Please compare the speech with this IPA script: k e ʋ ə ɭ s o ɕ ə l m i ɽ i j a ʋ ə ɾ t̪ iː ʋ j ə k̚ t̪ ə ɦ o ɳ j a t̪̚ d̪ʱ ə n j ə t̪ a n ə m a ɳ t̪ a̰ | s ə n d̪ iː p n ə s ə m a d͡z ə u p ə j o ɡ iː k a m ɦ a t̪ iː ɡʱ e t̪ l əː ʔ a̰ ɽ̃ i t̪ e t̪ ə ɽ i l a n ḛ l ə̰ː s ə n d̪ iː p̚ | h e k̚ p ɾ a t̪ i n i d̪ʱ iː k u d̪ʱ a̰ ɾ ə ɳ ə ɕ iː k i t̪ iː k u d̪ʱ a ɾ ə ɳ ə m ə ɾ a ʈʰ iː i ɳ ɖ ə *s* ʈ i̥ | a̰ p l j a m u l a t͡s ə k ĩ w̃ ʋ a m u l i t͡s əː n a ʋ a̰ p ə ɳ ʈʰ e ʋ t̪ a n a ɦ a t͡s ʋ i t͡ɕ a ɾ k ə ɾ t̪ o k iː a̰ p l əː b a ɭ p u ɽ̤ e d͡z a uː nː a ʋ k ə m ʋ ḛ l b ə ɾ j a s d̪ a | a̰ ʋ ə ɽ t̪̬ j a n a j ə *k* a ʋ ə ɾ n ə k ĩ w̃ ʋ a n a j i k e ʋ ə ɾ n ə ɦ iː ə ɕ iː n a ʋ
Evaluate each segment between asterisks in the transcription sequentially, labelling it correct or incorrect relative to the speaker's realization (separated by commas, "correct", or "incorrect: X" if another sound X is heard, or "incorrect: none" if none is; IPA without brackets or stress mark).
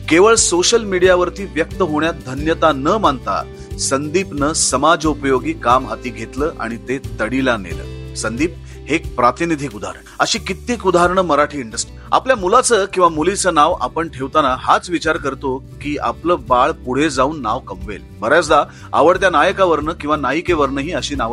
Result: correct, correct